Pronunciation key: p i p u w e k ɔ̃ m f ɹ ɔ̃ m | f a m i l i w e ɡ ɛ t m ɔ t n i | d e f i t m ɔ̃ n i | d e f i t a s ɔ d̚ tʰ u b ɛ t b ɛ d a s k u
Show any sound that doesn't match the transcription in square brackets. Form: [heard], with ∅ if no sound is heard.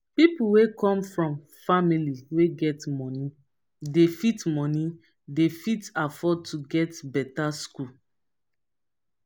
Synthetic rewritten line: p i p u w e k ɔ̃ m f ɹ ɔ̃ m | f a m i l i w e ɡ ɛ t m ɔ [∅] n i | d e f i t m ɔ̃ n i | d e f i t a [f] ɔ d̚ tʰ u [ɡ] ɛ t b ɛ [t] a s k u